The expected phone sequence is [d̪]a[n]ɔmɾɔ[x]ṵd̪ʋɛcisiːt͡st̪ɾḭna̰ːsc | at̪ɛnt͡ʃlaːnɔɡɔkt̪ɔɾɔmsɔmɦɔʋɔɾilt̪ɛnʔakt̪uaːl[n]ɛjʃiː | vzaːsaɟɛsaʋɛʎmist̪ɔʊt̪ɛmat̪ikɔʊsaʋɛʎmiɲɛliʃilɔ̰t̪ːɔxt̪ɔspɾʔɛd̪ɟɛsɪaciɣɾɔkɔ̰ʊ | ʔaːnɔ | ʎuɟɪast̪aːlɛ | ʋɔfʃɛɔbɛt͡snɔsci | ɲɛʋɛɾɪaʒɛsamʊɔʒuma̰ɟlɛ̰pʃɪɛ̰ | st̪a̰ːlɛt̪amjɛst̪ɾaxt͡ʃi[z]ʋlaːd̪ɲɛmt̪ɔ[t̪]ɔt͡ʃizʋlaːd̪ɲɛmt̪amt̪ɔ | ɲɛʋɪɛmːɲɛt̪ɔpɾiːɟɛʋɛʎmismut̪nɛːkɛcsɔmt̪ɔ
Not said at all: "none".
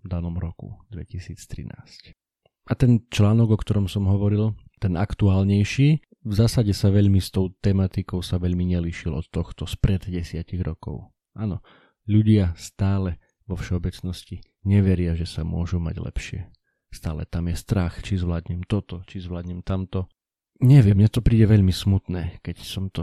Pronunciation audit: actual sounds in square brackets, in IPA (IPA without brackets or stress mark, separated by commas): d̪, n, k, ɲ, z, t̪